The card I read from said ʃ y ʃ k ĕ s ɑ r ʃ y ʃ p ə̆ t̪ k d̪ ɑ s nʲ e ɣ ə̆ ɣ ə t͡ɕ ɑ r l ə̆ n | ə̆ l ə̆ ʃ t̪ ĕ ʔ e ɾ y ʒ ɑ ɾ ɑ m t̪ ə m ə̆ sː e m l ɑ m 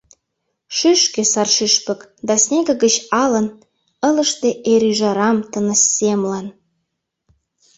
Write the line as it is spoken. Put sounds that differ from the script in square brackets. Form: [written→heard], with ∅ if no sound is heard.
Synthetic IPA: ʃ y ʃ k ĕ s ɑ r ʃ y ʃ p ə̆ [t̪→∅] k d̪ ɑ s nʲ e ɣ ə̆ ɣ ə t͡ɕ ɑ [r→∅] l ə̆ n | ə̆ l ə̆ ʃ t̪ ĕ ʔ e ɾ y ʒ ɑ ɾ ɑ m t̪ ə [m→n] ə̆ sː e m l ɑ [m→n]